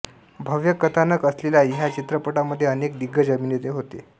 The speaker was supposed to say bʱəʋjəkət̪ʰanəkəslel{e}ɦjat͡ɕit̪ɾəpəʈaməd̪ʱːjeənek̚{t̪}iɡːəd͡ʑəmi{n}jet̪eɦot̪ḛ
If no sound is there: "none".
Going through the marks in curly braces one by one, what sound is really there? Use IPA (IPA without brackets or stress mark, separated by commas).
a, d̪, n